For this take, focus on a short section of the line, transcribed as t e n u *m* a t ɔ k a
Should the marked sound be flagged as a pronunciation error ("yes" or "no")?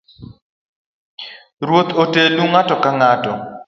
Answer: yes